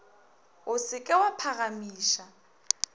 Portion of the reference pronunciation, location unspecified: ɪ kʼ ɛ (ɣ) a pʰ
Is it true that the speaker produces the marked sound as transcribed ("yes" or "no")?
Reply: no